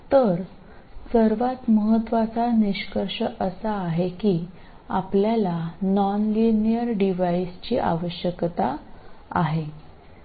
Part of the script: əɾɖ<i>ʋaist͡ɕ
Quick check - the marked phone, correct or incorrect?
correct